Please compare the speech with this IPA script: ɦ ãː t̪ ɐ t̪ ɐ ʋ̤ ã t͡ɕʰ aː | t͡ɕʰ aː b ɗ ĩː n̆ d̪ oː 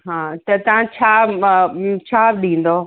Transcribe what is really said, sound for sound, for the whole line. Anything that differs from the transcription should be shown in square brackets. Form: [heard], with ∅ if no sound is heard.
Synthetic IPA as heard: ɦ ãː t̪ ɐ t̪ ɐ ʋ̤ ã t͡ɕʰ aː | t͡ɕʰ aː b ɗ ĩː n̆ d̪ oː